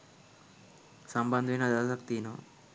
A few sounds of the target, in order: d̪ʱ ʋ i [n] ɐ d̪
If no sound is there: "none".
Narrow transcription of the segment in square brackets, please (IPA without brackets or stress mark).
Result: n